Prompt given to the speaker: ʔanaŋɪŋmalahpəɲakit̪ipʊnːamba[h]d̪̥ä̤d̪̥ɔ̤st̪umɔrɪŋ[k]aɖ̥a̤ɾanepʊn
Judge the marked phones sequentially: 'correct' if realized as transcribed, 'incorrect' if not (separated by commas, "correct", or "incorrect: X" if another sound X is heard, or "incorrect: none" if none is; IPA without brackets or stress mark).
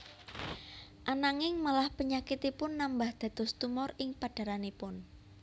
correct, incorrect: p